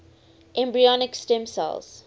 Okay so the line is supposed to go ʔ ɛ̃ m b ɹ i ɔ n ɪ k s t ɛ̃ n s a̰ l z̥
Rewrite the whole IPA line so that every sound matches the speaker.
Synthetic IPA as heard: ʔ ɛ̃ m b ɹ i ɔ n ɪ k s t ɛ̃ m s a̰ l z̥